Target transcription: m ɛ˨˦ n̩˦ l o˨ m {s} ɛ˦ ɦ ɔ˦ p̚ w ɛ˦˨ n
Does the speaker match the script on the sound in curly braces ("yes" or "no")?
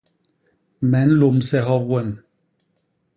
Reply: yes